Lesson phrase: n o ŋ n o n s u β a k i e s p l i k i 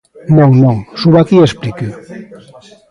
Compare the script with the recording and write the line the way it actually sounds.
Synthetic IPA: n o ŋ n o ŋ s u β a k i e s p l i k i